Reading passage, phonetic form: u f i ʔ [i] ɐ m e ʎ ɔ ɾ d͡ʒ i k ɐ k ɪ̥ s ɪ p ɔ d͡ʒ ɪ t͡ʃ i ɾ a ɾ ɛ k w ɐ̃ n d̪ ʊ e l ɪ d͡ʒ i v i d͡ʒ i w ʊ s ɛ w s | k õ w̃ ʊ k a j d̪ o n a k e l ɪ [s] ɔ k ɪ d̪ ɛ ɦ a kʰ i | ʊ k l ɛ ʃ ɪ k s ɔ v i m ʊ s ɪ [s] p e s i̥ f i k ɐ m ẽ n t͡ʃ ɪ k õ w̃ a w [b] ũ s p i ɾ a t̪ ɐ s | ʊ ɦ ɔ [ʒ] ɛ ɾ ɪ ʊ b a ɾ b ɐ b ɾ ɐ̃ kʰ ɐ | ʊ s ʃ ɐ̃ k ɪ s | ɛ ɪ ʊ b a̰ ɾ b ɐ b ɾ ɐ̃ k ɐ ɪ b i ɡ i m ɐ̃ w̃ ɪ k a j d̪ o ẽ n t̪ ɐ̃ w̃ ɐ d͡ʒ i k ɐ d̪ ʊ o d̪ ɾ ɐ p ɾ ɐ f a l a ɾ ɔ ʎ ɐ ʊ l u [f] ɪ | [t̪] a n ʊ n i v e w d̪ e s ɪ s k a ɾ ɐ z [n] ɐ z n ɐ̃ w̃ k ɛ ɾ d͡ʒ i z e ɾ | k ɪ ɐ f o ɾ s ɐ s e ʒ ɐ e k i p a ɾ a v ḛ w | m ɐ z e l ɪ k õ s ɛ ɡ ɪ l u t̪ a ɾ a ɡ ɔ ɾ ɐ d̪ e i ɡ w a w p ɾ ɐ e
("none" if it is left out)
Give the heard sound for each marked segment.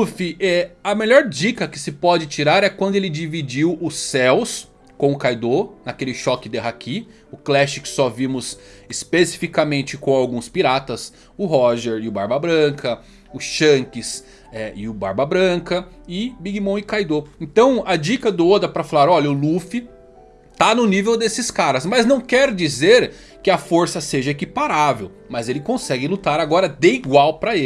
ɛ, ʃ, s, ɡ, ʒ, f, t̪, m

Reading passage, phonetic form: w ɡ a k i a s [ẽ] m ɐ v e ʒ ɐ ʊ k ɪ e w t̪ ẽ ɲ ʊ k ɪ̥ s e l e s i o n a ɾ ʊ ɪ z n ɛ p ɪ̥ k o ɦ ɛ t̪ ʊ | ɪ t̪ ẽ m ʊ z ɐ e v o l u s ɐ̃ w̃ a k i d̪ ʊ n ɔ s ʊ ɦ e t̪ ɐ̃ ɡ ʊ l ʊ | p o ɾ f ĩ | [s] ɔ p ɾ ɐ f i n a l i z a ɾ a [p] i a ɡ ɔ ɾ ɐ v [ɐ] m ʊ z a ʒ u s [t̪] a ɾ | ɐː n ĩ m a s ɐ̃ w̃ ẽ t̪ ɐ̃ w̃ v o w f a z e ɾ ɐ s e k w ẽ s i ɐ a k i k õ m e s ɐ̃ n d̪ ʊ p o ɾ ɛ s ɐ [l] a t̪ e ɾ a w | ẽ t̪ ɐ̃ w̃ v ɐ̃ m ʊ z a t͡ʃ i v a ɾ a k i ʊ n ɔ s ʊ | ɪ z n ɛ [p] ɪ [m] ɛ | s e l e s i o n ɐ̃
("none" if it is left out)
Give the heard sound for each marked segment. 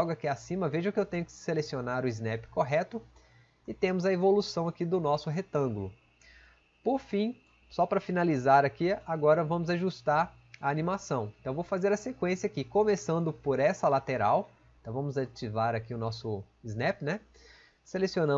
ĩ, s, k, ɐ̃, t̪, l, p, n

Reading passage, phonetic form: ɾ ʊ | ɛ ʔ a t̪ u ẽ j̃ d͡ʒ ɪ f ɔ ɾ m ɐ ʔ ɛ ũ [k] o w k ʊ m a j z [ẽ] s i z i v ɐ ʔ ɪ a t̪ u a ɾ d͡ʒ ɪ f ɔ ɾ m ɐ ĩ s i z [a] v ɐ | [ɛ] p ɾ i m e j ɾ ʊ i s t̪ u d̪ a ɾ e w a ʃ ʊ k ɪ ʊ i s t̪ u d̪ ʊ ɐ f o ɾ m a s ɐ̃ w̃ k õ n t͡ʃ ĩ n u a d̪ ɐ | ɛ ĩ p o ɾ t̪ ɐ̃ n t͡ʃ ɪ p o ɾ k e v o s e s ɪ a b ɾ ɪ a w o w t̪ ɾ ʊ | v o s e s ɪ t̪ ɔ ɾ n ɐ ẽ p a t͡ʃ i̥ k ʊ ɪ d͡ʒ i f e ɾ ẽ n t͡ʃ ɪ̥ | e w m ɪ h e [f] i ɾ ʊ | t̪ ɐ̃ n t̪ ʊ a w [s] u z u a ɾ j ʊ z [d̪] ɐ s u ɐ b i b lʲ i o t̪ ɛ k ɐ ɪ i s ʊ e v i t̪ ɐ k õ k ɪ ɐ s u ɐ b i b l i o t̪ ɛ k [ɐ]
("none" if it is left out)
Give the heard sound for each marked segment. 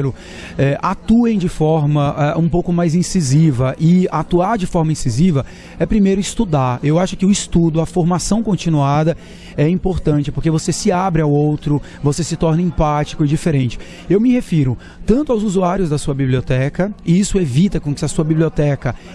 p, ĩ, i, ɛ, f, z, d̪, ɐ

